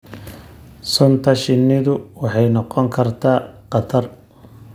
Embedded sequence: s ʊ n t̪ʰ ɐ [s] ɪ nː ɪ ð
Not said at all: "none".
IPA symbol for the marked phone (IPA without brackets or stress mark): ʃ